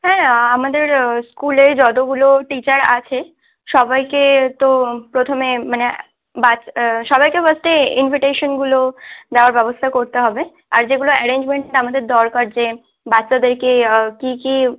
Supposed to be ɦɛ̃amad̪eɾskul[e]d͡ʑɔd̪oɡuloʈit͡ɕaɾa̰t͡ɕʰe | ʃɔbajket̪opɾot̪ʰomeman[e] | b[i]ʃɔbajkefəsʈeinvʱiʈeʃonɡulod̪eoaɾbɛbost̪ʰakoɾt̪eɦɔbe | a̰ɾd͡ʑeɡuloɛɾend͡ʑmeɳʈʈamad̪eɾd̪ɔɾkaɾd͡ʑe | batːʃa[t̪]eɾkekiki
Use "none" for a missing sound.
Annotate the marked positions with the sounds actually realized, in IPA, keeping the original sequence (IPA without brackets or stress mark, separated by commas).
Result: e, e, a, d̪